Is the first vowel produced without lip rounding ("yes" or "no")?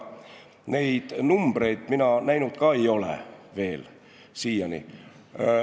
yes